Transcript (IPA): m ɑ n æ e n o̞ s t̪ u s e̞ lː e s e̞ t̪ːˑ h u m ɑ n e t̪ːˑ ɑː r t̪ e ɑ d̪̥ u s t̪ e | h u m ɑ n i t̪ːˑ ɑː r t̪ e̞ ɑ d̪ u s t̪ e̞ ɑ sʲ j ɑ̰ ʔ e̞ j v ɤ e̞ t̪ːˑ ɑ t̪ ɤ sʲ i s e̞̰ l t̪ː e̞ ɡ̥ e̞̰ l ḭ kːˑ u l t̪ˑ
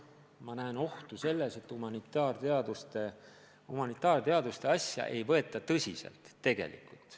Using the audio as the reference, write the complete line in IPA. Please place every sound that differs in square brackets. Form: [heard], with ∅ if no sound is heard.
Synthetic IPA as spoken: m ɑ n æ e n o̞ [h] t̪ u s e̞ lː e s e̞ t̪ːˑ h u m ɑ n [i] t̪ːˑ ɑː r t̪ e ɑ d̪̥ u s t̪ e | h u m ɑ n i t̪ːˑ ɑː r t̪ e̞ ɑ d̪ u s t̪ e̞ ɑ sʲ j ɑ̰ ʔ e̞ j v ɤ e̞ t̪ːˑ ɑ t̪ ɤ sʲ i s e̞̰ l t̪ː e̞ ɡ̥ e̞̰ l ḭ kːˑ u l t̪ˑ